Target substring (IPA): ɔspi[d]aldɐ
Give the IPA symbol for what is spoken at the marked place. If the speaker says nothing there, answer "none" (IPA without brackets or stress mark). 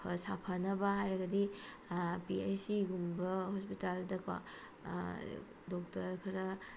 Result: t